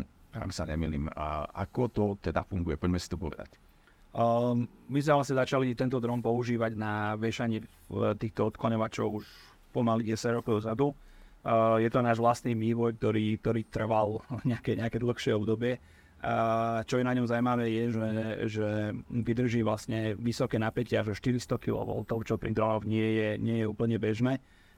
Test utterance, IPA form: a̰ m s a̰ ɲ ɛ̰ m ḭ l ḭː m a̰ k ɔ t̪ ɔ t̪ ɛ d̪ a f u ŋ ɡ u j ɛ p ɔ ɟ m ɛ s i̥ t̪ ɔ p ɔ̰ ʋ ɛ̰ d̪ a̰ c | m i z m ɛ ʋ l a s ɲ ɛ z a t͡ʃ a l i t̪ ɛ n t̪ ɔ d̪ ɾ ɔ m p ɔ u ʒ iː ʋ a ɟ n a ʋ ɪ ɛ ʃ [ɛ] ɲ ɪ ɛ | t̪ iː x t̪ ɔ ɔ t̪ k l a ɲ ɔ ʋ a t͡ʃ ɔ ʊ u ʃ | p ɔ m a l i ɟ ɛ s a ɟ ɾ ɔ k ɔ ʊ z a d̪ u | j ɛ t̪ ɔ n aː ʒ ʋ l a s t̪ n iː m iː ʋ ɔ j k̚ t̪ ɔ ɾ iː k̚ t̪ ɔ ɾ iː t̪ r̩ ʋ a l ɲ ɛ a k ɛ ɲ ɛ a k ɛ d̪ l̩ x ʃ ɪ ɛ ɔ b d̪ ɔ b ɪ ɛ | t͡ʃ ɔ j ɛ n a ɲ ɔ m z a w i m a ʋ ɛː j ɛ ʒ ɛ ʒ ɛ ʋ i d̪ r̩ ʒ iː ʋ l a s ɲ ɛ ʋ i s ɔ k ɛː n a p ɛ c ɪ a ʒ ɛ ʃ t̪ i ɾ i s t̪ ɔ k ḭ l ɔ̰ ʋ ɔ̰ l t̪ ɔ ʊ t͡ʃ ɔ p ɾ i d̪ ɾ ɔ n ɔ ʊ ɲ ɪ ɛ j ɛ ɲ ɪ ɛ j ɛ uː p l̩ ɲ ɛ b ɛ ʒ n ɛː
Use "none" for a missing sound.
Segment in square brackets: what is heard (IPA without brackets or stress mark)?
a